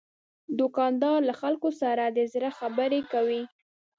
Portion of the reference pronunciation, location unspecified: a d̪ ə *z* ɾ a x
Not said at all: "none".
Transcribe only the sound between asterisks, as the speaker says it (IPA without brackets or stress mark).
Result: z